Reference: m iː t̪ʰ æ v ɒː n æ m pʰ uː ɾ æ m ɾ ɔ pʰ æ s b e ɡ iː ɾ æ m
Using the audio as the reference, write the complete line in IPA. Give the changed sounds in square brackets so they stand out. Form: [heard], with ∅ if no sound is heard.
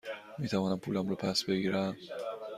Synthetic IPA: m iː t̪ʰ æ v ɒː n æ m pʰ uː [l] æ m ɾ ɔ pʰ æ s b e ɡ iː ɾ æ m